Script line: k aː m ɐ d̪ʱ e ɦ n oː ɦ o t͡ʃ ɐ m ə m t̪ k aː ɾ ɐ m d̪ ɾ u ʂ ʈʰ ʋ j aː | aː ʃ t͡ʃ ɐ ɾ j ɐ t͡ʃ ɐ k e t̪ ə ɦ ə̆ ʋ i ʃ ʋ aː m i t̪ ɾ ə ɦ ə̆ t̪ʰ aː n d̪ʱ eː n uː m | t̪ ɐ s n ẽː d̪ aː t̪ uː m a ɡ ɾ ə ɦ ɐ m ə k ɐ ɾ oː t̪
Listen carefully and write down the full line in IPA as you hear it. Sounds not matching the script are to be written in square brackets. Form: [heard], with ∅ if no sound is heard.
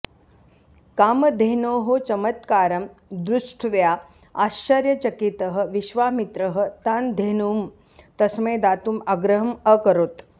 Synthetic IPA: k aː m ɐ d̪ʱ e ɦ n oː ɦ o t͡ʃ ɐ m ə [∅] t̪ k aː ɾ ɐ m d̪ ɾ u ʂ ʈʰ ʋ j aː | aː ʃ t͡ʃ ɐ ɾ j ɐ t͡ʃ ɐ k [i] t̪ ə ɦ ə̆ ʋ i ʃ ʋ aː m i t̪ ɾ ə ɦ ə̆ [t̪] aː n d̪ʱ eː n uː m | t̪ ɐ s [m] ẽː d̪ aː t̪ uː m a ɡ ɾ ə ɦ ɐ m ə k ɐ ɾ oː t̪